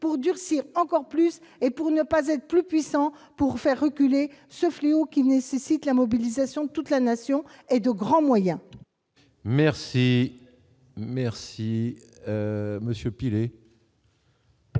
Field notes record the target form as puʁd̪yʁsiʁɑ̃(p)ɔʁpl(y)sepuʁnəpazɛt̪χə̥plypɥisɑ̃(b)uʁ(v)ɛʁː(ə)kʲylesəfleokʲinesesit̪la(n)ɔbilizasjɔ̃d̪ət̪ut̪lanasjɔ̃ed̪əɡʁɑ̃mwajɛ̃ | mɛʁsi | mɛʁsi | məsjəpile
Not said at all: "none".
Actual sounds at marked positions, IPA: k, y, p, f, ə, m

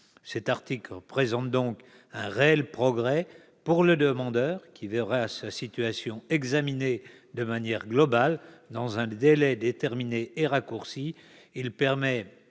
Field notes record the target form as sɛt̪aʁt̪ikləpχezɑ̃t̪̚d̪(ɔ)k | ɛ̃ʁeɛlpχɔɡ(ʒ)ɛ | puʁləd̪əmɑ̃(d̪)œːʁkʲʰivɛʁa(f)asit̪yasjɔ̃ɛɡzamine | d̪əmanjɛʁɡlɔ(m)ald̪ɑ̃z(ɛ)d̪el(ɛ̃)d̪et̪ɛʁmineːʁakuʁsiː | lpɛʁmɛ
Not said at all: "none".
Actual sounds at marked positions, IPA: ɔ̃, ʁ, d̪, s, b, ɛ̃, ɛ

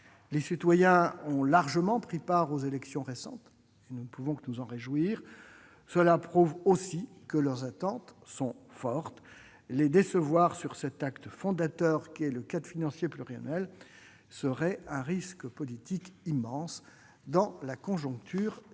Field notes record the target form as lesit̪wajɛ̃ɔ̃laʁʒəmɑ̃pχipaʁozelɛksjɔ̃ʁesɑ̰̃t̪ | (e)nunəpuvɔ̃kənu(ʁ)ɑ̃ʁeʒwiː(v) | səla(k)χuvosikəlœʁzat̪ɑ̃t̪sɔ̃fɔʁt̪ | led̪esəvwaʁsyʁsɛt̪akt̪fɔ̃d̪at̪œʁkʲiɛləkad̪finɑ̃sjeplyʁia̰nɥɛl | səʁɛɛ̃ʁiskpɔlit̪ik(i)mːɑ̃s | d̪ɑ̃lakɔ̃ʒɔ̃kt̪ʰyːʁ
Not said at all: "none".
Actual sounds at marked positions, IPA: e, z, ʁ, p, i

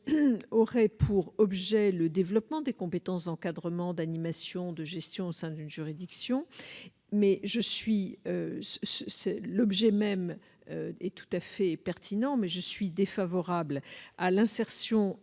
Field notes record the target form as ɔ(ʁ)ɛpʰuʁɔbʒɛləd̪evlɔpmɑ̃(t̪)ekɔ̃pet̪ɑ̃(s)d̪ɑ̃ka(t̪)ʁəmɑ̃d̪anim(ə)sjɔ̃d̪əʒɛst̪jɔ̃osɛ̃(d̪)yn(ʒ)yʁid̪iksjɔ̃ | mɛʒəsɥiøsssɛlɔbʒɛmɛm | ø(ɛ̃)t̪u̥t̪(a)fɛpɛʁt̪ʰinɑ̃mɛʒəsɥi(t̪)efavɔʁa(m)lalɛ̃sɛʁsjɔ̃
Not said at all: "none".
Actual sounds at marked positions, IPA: ʁ, d̪, s, d̪, a, d̪, ʒ, ɛ, a, d̪, b

